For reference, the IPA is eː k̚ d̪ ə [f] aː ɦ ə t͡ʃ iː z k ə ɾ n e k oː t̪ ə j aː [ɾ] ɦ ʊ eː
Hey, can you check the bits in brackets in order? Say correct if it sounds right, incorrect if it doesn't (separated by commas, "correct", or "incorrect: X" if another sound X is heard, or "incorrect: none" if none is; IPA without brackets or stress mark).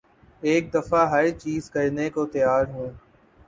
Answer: correct, correct